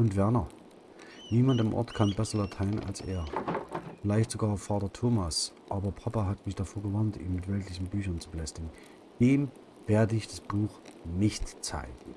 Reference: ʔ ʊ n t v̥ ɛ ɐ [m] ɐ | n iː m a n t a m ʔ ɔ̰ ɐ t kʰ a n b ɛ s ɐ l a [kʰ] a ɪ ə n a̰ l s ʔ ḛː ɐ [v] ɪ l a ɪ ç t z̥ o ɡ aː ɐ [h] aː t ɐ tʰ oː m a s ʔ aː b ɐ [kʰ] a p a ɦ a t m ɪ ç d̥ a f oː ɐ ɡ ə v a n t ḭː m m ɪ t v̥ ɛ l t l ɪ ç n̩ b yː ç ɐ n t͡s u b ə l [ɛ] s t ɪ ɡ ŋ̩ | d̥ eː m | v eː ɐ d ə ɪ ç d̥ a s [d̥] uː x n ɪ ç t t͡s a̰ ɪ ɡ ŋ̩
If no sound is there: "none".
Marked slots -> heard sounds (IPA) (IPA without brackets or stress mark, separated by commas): n, tʰ, f, f, pʰ, ɛ, b̥